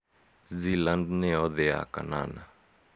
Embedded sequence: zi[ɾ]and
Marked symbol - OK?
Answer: no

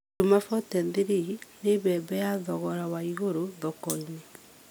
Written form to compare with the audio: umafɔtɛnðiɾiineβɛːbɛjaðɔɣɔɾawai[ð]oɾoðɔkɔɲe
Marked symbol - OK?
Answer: no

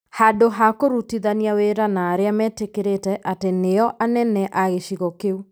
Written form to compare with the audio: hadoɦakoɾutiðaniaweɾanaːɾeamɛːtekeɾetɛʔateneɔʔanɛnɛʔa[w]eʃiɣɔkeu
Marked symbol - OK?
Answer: no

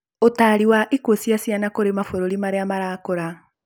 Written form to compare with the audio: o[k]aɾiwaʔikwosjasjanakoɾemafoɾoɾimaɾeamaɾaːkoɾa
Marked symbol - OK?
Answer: no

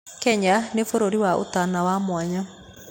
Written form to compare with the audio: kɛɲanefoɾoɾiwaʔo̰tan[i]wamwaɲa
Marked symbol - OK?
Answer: no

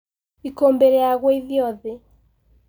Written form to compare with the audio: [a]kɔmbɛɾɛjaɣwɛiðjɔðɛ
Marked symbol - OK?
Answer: no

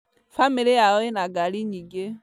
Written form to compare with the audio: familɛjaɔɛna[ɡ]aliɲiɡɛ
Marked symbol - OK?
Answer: yes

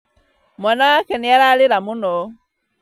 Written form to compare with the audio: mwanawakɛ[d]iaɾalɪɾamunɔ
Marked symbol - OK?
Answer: no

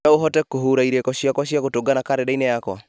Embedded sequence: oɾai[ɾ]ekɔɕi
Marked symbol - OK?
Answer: yes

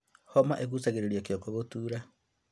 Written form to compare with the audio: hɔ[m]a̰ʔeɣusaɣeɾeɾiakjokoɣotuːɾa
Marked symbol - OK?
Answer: yes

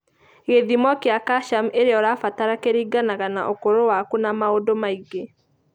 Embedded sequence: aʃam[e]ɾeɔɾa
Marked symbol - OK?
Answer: yes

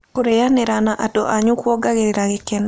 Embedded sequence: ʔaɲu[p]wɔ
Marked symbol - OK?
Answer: no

